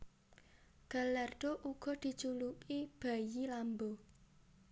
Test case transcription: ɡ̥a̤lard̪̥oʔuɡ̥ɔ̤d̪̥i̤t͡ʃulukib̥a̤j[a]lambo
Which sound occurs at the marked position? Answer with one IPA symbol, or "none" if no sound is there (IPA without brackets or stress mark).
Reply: i